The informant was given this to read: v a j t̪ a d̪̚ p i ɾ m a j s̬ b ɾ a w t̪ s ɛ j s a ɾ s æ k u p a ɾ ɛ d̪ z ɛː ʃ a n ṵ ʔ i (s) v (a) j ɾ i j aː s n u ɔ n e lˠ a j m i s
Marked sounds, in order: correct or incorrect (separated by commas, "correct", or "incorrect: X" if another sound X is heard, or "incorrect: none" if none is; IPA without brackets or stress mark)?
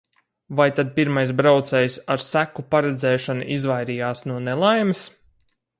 incorrect: z, correct